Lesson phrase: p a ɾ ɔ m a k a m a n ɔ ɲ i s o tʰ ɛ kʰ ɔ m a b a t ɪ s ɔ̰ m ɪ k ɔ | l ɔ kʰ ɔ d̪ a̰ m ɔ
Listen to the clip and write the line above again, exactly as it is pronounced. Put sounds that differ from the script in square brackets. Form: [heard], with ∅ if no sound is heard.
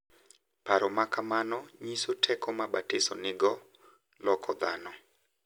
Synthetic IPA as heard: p a ɾ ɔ m a k a m a n ɔ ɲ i s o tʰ ɛ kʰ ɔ m a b a t ɪ s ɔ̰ [n] ɪ [ɡ] ɔ | l ɔ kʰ ɔ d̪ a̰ [n] ɔ